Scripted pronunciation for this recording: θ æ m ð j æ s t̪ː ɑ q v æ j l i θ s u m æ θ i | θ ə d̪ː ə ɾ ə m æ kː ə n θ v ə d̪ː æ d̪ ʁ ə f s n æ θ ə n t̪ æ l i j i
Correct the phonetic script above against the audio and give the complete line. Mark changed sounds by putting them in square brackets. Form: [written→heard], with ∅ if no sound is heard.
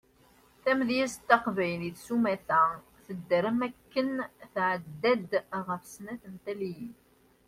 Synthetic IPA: θ æ m ð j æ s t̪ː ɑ q v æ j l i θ s u m æ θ [i→æ] | θ ə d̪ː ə ɾ ə m æ kː ə n θ [v→ʕ] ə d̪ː æ d̪ ʁ ə f s n æ θ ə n t̪ æ l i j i